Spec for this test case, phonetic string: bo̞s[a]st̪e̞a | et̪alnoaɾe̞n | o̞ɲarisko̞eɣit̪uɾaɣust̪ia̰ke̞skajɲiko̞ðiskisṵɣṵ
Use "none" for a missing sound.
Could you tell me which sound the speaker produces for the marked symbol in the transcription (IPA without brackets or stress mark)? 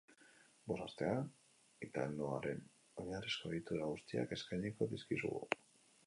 a